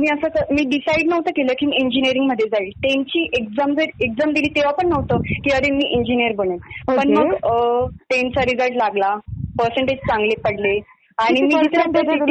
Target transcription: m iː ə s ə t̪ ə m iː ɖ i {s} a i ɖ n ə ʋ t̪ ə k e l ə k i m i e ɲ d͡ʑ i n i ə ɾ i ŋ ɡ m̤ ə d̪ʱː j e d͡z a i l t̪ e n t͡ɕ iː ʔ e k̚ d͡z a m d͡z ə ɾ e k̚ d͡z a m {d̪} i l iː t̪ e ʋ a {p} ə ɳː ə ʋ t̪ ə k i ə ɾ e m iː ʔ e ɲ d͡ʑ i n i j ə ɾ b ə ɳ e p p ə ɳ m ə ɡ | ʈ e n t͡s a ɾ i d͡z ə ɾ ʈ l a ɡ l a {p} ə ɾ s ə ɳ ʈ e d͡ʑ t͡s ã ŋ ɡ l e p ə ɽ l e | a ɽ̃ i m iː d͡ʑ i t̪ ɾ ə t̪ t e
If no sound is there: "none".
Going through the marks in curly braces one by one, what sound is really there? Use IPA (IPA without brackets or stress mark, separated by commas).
s, d̪, p, p